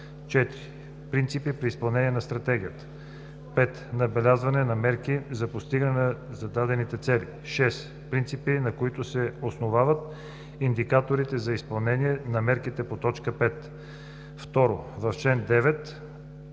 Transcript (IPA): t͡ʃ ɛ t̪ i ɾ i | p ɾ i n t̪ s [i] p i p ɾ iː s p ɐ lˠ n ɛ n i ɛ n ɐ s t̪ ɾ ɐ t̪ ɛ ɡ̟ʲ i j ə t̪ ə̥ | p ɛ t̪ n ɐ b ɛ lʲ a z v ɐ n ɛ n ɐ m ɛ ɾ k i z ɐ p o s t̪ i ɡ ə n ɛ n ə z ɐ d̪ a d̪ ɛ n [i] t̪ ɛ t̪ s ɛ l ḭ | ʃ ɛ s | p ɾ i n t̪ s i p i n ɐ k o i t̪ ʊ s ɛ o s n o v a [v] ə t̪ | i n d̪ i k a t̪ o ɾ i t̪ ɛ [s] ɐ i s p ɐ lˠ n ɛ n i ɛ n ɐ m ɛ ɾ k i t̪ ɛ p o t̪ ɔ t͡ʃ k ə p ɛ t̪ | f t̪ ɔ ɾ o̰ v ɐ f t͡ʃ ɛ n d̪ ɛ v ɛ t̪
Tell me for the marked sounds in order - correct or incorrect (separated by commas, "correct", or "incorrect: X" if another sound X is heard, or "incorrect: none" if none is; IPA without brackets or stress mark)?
correct, correct, correct, incorrect: z